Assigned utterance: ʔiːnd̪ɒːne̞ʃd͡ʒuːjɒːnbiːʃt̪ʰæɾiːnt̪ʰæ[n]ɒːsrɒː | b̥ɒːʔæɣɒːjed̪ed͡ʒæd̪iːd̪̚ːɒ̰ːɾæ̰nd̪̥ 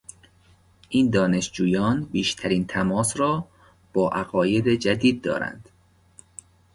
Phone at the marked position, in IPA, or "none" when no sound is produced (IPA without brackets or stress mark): m